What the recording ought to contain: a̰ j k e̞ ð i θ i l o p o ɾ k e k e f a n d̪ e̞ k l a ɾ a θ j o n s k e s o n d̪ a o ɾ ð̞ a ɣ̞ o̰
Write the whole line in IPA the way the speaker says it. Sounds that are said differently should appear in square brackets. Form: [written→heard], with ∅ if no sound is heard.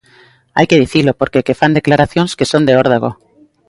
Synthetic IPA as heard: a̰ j k e̞ ð i θ i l o p o ɾ k e k e f a n d̪ e̞ k l a ɾ a θ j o n s k e s o n d̪ [a→e] o ɾ ð̞ a ɣ̞ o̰